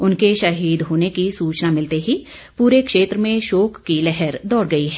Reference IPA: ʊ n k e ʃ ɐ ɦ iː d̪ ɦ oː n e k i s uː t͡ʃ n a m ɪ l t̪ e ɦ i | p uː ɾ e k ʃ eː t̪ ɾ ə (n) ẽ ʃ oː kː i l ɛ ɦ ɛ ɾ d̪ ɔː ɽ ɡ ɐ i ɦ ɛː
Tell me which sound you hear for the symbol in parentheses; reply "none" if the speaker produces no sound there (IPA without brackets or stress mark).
m